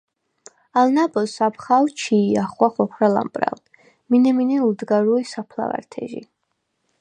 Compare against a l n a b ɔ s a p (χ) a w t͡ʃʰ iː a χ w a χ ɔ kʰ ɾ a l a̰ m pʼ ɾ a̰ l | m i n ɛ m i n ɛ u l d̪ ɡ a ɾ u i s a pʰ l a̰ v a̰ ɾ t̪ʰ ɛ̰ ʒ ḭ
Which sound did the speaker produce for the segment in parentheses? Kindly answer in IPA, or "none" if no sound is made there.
χ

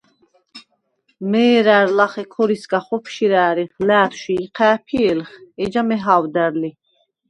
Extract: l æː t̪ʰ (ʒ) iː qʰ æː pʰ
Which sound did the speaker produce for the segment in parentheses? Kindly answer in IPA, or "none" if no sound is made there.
ʃ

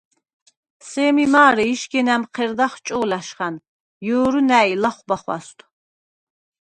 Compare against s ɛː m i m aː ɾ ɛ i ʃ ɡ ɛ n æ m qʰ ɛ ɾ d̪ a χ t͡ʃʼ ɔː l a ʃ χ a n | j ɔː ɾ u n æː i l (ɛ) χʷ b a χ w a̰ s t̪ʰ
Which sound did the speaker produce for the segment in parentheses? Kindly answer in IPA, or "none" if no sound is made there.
a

